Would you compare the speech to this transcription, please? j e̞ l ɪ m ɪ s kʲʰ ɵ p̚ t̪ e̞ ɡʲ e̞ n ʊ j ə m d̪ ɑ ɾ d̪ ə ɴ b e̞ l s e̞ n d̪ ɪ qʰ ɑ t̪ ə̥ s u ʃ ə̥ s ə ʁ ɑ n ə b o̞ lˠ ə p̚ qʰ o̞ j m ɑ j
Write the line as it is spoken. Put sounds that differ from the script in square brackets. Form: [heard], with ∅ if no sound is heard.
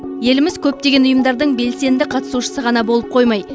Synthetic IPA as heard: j e̞ l ɪ m ɪ [z] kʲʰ ɵ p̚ t̪ e̞ ɡʲ e̞ n ʊ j ə m d̪ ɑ ɾ d̪ ə ɴ b e̞ l s e̞ n d̪ ɪ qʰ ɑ t̪ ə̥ s u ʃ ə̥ s ə ʁ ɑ n [ɑ] b o̞ lˠ ə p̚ qʰ o̞ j m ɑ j